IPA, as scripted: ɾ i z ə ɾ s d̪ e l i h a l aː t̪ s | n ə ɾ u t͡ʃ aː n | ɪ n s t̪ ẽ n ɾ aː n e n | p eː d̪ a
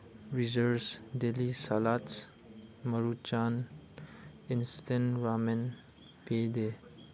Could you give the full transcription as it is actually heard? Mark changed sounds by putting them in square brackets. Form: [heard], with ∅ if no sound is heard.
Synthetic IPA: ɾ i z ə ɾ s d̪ e l i [s] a l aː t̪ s | [m] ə ɾ u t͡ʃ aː n | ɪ n s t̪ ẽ n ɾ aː [m] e n | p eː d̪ [e]